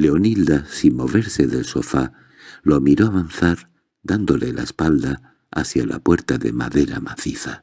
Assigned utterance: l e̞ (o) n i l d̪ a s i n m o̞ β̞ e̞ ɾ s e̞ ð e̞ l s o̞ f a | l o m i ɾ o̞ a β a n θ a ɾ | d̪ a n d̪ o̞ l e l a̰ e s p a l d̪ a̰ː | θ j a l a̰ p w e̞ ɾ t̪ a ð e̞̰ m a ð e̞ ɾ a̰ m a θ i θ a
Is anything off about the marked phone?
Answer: no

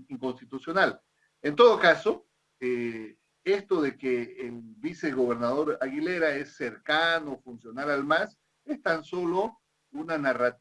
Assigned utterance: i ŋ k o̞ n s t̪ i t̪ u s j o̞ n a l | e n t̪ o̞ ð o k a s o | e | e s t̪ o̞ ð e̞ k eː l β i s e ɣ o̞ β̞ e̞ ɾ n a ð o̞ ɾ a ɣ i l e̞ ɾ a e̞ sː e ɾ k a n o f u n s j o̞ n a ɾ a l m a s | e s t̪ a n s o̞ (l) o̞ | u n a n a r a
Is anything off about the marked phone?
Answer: no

